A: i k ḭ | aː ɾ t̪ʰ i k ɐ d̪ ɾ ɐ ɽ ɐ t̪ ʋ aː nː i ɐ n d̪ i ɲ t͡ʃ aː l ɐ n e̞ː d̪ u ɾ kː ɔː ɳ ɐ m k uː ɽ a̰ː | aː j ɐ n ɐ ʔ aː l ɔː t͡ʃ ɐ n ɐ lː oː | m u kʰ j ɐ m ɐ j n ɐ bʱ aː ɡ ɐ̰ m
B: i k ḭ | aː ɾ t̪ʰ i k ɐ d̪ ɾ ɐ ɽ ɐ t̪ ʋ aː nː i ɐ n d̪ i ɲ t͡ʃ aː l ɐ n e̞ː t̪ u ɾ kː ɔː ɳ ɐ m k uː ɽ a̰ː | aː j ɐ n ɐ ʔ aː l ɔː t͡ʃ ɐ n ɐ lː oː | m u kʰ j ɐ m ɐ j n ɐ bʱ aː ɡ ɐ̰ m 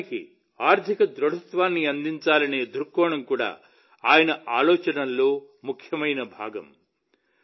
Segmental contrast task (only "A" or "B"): A